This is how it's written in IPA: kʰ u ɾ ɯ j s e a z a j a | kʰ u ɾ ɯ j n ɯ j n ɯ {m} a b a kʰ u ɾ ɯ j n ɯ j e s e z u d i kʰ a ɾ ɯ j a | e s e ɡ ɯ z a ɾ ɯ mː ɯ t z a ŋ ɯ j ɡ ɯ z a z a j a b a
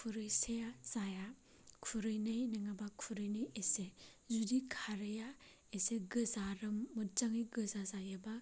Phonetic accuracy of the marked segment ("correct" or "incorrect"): incorrect